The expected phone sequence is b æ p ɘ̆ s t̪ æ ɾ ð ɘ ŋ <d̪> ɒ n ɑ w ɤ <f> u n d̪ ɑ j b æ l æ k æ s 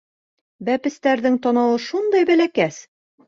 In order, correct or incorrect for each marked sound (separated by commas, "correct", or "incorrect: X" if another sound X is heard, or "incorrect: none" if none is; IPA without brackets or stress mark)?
incorrect: t̪, incorrect: ʃ